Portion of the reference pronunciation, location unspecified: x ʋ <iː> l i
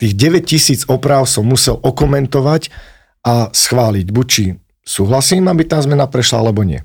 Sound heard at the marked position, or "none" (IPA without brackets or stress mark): aː